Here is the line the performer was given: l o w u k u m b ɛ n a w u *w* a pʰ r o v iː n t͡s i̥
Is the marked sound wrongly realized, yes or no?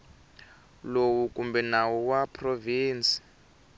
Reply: no